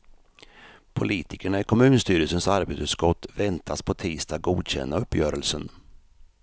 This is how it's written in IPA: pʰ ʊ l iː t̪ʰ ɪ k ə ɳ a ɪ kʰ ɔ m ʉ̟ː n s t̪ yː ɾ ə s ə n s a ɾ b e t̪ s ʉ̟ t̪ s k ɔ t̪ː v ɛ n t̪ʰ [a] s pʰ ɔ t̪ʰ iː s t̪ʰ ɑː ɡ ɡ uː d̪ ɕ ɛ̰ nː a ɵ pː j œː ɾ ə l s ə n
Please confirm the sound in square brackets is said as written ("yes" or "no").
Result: yes